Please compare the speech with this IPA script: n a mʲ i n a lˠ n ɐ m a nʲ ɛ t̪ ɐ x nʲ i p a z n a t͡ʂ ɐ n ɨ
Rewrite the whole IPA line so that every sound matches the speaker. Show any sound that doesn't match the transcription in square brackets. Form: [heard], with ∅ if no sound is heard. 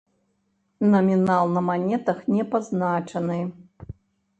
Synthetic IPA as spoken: n [ɐ] mʲ i n a lˠ n ɐ m a nʲ ɛ t̪ ɐ x nʲ [ɛ] p a z n a t͡ʂ ɐ n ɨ